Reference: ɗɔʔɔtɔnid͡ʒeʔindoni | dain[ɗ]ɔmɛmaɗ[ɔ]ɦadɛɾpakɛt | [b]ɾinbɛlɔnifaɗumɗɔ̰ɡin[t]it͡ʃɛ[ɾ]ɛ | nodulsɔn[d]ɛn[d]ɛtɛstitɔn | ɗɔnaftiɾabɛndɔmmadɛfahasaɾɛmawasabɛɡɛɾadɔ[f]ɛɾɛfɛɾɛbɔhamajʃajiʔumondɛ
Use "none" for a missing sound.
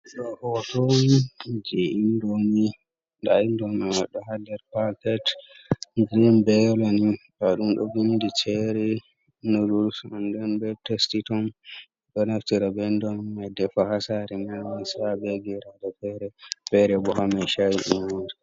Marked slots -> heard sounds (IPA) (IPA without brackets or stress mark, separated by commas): d, ɔ, ɡ, d, ɾ, d, b, f